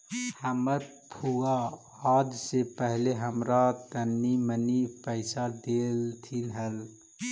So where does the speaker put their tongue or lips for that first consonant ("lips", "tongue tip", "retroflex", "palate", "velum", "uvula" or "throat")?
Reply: throat